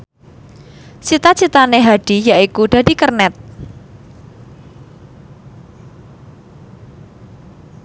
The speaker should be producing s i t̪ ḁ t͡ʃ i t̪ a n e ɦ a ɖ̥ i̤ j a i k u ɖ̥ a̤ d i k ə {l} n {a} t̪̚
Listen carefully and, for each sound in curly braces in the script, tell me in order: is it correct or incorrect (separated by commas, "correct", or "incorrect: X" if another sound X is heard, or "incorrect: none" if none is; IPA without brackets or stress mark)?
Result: incorrect: r, incorrect: ɛ